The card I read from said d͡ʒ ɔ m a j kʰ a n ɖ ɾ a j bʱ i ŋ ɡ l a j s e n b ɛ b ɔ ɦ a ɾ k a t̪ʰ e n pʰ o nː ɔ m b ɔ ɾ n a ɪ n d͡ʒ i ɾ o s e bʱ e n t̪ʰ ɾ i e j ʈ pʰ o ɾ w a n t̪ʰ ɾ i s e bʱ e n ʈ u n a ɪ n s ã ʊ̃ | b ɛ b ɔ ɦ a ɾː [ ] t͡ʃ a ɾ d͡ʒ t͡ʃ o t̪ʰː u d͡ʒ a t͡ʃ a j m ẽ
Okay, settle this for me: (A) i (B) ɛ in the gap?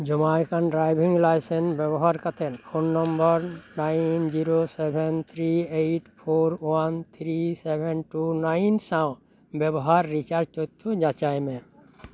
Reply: A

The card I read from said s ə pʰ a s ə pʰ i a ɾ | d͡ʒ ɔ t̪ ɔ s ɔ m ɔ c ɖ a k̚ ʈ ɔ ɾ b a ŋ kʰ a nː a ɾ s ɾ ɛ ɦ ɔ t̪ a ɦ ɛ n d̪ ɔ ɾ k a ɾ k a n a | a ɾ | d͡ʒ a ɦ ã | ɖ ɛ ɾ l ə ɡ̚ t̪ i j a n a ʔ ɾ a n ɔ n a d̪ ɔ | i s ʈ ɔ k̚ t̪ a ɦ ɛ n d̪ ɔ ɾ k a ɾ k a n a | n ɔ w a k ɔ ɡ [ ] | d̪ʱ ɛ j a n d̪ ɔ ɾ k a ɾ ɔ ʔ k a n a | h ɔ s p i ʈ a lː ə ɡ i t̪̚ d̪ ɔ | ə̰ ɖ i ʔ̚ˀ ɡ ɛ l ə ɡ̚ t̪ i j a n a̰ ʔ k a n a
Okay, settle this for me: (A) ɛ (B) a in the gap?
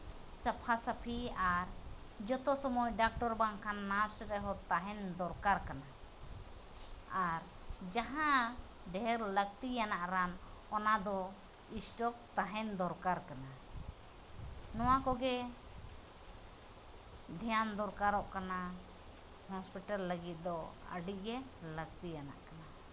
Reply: A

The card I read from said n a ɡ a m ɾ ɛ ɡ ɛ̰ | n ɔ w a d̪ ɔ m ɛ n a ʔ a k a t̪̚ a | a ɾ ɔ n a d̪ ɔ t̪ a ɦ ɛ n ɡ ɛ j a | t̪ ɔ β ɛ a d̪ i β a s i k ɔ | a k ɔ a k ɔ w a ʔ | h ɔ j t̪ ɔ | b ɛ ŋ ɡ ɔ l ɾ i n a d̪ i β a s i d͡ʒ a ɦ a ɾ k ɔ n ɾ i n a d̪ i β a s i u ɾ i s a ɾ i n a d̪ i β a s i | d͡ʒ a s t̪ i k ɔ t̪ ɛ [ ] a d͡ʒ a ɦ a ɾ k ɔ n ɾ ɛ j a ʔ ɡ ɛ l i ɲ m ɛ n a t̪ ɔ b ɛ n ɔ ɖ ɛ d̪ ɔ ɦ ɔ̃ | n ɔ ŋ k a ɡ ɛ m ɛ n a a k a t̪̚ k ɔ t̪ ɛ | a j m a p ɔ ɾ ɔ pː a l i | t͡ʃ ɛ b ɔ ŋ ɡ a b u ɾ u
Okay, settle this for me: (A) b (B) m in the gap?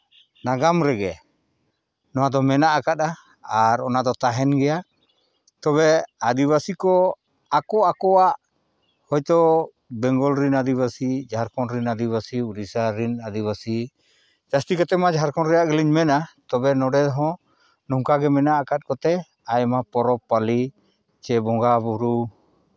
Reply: B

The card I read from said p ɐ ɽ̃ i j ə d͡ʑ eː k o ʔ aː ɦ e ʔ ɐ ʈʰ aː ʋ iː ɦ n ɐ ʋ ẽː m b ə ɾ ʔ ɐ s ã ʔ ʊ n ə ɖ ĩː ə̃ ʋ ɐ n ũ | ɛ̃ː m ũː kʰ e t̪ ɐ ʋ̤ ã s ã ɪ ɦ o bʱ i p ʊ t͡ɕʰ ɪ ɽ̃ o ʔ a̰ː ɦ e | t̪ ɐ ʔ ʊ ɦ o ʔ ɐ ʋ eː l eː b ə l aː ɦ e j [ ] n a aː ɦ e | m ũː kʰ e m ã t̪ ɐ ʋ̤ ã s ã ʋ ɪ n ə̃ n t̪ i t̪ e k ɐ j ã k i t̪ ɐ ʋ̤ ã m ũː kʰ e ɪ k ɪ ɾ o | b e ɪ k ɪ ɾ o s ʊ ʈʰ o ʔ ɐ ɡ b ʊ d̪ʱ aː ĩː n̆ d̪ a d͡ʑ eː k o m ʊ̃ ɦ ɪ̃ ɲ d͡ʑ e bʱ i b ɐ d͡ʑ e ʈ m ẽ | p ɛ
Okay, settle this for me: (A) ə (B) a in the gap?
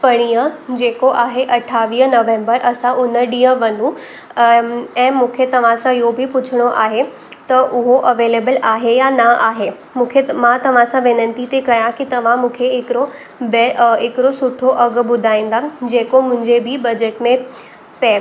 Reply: B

